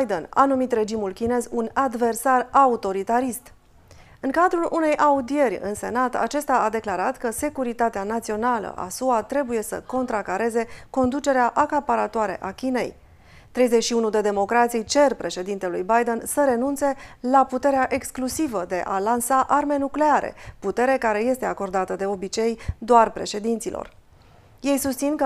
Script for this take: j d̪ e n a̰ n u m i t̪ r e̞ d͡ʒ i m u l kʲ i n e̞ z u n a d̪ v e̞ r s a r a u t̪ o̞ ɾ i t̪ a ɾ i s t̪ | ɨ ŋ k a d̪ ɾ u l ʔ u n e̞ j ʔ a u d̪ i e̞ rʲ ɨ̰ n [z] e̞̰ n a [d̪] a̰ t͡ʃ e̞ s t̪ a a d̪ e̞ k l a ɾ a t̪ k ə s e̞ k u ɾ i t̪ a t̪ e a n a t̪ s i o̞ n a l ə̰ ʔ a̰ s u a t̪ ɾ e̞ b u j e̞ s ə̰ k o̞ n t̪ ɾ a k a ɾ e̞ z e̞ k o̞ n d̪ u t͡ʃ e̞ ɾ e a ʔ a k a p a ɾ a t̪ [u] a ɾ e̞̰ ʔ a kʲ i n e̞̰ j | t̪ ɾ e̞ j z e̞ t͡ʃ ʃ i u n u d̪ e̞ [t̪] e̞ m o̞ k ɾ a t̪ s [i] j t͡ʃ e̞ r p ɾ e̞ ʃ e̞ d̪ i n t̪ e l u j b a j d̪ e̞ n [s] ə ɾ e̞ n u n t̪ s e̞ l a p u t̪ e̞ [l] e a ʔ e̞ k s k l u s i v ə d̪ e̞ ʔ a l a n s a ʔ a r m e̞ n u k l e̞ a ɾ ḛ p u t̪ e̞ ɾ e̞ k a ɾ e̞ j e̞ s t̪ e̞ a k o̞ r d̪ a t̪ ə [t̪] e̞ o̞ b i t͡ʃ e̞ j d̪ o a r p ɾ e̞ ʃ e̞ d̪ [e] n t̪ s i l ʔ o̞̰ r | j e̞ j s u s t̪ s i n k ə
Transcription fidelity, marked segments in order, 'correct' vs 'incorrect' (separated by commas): incorrect, incorrect, incorrect, incorrect, correct, correct, incorrect, incorrect, incorrect